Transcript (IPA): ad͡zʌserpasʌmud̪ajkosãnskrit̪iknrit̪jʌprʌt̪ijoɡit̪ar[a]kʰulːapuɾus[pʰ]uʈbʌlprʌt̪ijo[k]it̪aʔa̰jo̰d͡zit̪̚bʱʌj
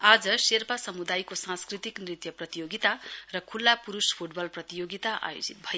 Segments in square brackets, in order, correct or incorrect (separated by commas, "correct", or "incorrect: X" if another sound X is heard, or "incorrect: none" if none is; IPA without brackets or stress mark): incorrect: ʌ, correct, incorrect: ɡ